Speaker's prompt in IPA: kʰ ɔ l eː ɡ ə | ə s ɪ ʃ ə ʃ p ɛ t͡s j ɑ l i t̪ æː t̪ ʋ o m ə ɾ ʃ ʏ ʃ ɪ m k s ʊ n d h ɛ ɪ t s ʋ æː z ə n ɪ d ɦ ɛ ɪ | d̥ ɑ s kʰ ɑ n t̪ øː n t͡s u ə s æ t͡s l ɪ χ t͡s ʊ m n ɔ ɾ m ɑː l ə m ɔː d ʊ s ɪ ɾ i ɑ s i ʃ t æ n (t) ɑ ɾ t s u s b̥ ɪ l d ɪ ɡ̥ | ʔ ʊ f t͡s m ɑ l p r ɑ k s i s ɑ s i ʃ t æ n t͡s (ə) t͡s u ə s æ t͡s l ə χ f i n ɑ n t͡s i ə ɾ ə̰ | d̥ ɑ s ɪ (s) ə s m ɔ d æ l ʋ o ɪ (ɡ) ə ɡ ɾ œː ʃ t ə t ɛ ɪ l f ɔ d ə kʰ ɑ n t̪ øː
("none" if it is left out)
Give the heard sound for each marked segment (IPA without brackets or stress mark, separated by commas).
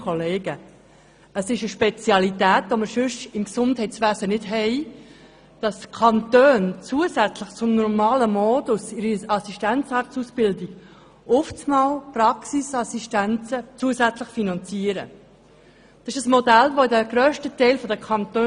t͡s, ə, ʃ, d